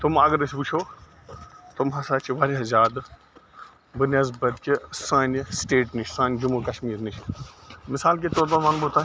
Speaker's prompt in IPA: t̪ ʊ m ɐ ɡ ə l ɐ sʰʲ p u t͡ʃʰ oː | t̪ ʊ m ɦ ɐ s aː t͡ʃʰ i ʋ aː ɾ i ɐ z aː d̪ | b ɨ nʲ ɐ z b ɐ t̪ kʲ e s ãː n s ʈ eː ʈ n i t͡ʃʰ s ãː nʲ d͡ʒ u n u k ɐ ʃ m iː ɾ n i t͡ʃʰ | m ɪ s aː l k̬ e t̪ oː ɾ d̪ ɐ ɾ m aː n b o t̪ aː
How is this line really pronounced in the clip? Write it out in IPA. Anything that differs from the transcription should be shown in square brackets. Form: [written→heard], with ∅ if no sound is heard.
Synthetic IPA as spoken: t̪ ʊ m ɐ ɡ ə [l→ɾ] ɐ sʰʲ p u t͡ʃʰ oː | t̪ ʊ m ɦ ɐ s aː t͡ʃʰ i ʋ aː ɾ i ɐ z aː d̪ | b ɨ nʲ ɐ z b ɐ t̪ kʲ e s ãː n s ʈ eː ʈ n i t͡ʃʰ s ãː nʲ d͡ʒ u [n→m] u k ɐ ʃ m iː ɾ n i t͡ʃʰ | m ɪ s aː l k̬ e t̪ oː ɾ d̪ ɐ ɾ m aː n b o t̪ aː